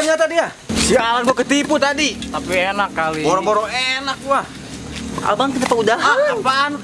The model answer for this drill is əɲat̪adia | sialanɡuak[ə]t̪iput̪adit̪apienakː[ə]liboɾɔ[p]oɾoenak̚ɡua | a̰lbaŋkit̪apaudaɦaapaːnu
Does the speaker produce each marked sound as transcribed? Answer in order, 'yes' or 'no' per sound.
yes, no, no

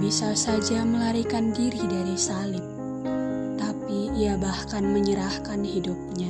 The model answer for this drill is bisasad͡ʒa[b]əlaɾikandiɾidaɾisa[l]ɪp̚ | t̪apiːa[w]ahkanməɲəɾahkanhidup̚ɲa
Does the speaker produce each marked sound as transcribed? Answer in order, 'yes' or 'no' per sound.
no, yes, no

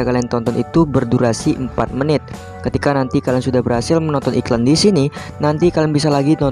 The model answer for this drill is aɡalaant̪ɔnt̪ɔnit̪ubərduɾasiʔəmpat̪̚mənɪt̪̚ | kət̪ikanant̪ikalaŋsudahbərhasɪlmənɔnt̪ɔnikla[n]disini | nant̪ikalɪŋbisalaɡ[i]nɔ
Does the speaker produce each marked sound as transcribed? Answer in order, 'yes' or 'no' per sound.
yes, yes

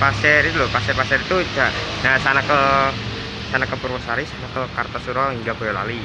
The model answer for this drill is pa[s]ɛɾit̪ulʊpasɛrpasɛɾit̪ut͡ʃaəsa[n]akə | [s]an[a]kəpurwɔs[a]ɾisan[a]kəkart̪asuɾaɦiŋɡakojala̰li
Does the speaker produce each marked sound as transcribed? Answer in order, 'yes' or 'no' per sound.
yes, yes, yes, yes, yes, yes

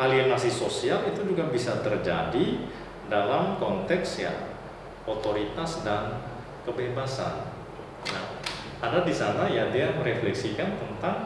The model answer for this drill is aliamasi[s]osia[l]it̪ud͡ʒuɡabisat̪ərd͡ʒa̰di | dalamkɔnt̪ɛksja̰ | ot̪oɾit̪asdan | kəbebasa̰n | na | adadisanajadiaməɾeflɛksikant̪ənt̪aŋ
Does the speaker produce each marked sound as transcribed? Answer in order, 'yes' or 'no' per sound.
yes, yes

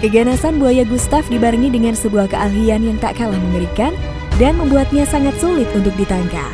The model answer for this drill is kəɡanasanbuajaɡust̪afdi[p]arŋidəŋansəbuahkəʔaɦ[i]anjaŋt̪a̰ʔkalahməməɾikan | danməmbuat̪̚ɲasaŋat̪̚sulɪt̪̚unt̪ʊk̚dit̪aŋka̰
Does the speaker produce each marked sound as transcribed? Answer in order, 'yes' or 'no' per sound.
no, yes

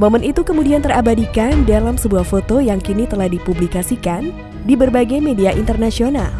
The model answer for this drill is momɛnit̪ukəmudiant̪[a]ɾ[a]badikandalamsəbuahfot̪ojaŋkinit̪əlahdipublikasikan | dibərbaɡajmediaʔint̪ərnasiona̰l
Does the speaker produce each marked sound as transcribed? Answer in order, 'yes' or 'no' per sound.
no, yes

